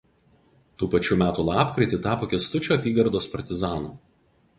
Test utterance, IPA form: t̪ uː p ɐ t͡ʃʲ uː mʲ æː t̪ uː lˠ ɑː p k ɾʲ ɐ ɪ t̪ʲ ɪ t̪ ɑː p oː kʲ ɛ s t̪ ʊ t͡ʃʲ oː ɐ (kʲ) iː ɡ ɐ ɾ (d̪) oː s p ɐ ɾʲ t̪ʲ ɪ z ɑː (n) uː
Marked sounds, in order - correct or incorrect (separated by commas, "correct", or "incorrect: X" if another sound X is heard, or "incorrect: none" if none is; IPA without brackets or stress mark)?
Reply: incorrect: pʲ, correct, correct